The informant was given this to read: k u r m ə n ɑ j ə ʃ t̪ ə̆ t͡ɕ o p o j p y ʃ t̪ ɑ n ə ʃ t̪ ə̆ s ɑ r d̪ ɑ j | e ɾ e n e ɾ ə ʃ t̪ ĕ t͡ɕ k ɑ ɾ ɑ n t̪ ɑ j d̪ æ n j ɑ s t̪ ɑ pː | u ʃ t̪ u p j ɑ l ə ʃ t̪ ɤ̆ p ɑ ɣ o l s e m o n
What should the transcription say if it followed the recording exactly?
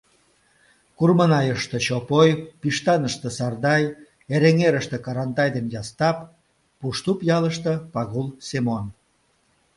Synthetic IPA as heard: k u r m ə n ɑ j ə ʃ t̪ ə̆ t͡ɕ o p o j p i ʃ t̪ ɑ n ə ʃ t̪ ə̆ s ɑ r d̪ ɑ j | e ɾ e ŋ e ɾ ə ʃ t̪ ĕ k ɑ ɾ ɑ n t̪ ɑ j d̪ e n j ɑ s t̪ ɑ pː | u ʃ t̪ u p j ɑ l ə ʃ t̪ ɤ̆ p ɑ ɣ u l s e m o n